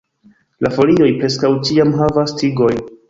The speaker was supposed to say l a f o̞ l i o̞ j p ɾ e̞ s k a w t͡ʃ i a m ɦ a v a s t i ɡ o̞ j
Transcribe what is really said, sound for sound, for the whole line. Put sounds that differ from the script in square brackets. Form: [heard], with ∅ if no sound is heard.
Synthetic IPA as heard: l a f o̞ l i o̞ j p ɾ e̞ s k a w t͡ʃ i a m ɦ a v a s t i ɡ o̞ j